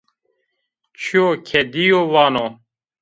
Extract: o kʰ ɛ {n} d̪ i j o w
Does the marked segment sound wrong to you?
yes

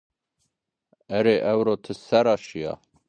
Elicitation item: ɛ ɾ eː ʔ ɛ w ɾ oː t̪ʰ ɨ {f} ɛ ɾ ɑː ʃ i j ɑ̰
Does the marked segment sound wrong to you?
yes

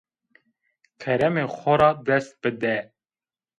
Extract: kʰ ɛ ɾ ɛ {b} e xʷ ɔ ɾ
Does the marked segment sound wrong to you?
yes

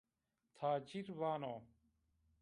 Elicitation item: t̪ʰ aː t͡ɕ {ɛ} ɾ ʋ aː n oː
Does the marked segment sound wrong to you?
yes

